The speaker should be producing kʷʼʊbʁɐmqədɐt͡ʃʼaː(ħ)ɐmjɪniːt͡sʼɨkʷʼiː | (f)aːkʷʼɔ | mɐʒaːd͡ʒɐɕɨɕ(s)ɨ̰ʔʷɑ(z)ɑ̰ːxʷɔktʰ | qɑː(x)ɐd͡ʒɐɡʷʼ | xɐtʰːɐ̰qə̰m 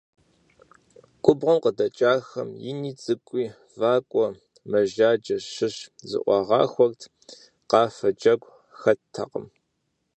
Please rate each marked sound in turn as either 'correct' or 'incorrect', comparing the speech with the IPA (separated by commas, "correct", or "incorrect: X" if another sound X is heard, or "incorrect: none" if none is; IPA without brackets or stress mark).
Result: incorrect: x, incorrect: v, incorrect: z, incorrect: ʁ, incorrect: f